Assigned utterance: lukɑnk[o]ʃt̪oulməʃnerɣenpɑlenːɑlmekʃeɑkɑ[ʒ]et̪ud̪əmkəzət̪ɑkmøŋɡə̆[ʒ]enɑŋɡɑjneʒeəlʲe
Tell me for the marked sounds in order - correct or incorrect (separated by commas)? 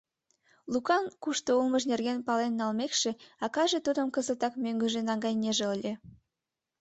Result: incorrect, correct, correct